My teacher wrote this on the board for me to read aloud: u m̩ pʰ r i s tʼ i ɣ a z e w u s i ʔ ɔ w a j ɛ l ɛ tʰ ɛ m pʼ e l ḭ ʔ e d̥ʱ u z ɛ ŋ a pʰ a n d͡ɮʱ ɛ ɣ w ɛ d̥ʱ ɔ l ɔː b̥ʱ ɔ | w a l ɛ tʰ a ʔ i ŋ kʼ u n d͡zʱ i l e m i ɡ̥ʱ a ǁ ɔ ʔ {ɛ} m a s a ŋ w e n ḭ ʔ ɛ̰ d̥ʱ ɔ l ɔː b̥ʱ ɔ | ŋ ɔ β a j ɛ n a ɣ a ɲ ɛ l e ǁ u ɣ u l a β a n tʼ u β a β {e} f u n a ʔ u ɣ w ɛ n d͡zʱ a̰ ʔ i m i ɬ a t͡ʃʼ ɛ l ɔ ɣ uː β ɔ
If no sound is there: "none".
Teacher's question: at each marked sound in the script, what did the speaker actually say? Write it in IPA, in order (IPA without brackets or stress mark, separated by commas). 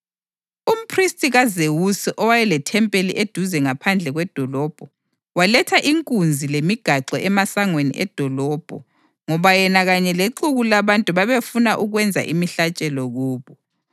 ɛ, e